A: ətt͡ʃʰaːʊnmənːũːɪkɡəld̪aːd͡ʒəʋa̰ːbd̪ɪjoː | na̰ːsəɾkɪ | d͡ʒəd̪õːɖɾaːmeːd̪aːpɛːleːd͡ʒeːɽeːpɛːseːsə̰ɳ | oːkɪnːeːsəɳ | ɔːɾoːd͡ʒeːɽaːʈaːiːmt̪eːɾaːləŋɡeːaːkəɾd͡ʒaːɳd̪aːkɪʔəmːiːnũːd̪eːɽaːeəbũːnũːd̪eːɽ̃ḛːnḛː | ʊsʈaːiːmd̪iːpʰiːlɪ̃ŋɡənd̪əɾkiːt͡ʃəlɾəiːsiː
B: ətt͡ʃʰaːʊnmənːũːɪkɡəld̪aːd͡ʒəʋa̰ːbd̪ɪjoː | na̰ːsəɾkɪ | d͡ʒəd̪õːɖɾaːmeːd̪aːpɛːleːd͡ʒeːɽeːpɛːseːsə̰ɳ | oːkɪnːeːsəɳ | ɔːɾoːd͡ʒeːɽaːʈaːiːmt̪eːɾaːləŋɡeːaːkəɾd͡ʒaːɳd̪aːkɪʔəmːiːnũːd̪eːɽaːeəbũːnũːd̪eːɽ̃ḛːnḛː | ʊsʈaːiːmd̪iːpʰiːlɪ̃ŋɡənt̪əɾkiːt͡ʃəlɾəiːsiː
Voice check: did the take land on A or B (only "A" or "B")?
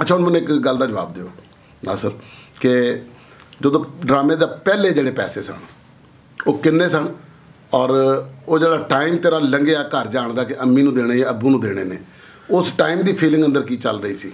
A